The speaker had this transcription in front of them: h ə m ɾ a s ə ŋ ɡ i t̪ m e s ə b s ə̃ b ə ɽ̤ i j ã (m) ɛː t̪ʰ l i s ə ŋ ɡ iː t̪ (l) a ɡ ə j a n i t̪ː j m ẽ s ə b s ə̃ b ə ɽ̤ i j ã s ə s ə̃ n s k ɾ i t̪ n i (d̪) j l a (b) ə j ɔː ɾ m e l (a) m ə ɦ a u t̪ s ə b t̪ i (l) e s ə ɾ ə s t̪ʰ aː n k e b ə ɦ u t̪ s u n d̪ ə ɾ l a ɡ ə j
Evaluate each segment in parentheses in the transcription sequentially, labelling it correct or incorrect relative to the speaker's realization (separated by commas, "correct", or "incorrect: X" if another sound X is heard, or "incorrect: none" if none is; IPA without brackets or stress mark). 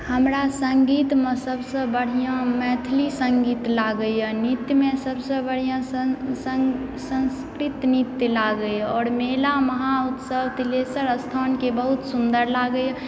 correct, correct, incorrect: t̪, incorrect: ɡ, correct, correct